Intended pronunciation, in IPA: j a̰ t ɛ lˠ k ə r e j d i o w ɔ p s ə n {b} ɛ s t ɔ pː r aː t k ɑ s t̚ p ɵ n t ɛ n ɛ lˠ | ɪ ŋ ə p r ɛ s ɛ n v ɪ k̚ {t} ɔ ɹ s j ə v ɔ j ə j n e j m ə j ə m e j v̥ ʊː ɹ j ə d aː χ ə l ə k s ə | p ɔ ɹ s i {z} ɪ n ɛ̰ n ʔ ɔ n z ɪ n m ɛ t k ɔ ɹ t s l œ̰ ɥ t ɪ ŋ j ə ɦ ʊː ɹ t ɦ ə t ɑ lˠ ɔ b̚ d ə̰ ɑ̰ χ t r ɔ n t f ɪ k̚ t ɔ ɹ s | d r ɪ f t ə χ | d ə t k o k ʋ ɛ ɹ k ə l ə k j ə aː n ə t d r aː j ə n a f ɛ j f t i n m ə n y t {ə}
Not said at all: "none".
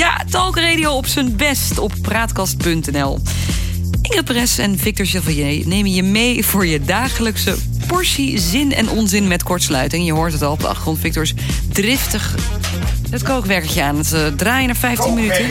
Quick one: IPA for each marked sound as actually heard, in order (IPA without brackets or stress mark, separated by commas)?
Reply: b, t, z, ə